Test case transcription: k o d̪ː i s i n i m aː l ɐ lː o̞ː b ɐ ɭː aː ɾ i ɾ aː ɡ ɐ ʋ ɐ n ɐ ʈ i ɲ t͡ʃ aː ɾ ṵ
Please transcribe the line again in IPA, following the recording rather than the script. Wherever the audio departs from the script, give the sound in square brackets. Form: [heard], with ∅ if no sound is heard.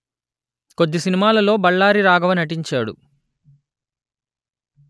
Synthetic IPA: k o d̪ː i s i n i m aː l ɐ [l] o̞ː b ɐ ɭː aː ɾ i ɾ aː ɡ ɐ ʋ ɐ n ɐ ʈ i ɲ t͡ʃ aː [ɽ] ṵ